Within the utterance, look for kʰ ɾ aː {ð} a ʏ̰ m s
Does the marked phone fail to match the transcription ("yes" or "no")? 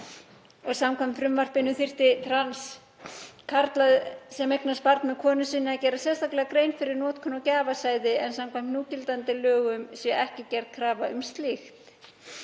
yes